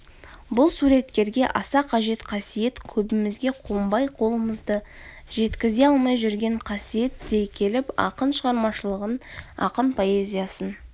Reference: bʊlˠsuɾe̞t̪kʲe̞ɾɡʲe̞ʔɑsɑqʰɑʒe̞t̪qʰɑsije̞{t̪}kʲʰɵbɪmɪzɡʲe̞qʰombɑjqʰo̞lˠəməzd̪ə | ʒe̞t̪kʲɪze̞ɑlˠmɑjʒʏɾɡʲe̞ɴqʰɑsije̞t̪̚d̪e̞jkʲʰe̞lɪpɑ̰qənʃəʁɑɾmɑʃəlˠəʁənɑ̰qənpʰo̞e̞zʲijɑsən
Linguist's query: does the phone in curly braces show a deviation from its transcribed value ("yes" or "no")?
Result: no